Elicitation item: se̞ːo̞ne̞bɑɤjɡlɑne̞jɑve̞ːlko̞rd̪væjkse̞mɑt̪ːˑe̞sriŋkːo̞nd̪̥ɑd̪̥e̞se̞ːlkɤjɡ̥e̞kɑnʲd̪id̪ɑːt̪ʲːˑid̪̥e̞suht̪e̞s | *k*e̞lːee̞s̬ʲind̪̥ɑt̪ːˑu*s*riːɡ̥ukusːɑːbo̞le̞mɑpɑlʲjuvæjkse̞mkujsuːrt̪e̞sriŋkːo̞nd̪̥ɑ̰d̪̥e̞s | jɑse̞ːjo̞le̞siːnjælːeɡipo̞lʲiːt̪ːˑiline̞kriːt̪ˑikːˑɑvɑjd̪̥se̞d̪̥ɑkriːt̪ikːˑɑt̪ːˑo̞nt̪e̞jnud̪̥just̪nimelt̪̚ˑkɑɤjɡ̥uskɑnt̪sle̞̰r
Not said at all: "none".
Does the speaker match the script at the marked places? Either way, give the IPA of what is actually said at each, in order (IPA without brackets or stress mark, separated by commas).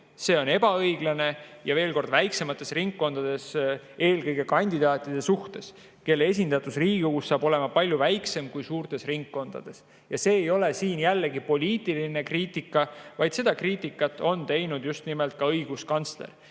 k, s